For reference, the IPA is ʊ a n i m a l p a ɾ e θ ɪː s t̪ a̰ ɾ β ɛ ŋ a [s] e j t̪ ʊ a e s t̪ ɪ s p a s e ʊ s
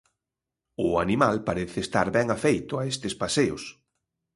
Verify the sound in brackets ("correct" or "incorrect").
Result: incorrect